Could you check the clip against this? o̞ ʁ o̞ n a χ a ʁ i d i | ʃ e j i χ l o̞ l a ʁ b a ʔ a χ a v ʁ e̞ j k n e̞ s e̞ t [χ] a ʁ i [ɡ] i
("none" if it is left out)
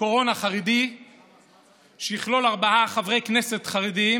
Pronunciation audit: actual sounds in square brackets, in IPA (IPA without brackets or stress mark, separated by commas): χ, d